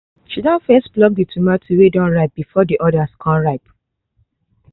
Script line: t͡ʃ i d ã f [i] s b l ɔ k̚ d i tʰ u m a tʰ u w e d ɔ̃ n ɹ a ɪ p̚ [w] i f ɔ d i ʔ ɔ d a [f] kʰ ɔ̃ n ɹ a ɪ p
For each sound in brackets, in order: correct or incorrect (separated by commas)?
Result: incorrect, incorrect, incorrect